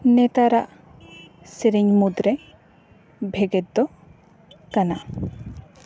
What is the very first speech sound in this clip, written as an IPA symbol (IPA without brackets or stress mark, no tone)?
n